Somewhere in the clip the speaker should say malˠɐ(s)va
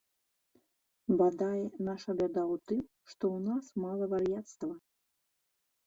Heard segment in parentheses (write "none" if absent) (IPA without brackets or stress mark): none